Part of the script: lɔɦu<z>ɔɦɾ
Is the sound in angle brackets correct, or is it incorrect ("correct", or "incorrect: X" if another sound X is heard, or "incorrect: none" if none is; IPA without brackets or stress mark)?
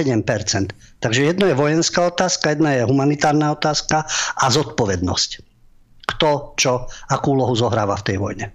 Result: correct